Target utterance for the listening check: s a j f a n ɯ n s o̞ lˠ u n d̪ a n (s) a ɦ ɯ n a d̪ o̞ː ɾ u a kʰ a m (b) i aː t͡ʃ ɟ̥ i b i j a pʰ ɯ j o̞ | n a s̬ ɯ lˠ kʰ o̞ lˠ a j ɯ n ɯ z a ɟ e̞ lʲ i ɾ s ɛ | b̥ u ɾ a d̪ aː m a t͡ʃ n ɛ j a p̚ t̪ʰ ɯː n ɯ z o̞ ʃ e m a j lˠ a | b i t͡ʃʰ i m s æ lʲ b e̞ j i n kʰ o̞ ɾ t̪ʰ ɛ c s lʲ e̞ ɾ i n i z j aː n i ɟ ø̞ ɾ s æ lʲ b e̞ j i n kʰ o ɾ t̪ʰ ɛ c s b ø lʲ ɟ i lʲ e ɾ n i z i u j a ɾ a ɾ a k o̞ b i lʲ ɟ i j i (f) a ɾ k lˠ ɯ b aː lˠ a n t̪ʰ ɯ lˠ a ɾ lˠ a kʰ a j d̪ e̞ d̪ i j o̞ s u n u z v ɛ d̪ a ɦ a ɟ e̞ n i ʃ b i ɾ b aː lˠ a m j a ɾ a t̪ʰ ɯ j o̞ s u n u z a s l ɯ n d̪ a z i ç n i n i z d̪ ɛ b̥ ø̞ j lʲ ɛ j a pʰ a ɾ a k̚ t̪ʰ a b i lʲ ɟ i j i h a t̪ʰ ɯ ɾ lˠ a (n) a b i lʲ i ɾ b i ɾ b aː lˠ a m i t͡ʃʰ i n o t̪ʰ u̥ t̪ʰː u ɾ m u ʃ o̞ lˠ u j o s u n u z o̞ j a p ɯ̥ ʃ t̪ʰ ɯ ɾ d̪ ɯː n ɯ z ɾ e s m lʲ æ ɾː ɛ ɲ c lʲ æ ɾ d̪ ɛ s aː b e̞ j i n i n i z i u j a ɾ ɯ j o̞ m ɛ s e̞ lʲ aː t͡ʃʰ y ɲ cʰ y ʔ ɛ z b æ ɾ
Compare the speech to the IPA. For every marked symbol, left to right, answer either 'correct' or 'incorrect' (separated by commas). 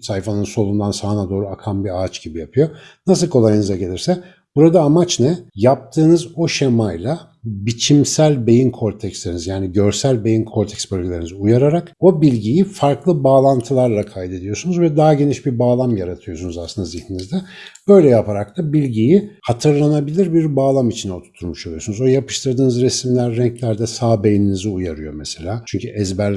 correct, correct, correct, correct